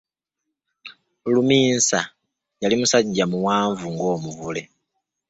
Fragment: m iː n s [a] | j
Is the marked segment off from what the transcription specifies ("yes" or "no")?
no